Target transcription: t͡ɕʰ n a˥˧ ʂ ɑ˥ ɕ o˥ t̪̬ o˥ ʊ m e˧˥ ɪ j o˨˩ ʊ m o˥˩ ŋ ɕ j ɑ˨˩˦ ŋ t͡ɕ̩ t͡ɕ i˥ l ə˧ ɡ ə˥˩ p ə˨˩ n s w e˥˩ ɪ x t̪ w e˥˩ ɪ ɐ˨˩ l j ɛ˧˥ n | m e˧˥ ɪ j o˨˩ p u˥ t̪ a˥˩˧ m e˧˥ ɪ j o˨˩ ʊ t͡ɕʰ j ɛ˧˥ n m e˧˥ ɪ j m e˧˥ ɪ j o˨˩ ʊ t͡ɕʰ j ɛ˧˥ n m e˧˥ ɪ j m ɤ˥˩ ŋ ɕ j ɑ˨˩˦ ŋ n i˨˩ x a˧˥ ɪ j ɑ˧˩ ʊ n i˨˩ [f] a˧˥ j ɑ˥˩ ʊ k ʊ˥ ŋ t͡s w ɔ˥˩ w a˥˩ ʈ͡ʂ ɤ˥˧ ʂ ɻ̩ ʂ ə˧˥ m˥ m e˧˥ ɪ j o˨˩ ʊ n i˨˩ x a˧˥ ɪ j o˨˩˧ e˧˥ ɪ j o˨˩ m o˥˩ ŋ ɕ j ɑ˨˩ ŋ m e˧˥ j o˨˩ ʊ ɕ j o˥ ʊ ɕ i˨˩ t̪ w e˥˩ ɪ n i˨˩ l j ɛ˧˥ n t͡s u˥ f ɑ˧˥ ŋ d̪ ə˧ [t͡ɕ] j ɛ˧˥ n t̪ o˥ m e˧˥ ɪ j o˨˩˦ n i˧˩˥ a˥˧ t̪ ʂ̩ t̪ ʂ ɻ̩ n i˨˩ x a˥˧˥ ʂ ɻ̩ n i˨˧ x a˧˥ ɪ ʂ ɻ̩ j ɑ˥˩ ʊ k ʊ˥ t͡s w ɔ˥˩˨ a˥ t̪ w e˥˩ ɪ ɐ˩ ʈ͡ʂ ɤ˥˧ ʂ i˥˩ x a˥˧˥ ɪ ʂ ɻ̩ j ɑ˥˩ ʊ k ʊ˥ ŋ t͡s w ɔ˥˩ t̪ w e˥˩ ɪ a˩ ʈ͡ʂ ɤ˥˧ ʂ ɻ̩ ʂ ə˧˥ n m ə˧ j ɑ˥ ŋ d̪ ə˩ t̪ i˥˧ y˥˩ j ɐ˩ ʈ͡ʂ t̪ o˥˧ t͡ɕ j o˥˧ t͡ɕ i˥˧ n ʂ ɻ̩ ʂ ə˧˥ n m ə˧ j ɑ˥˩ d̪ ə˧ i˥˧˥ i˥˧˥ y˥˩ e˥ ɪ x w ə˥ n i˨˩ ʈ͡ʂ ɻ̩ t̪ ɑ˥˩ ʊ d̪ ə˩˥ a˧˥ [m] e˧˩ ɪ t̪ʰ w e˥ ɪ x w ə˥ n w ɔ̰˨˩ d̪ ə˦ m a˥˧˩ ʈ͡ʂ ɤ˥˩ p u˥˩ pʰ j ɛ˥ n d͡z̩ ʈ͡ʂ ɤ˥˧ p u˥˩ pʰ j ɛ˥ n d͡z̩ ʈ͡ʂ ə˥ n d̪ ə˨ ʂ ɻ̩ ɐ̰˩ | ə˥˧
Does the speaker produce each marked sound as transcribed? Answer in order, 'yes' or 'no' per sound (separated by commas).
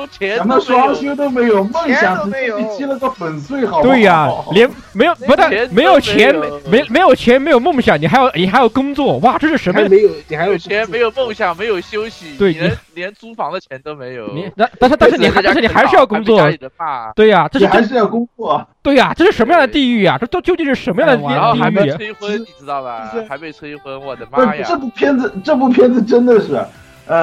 no, no, yes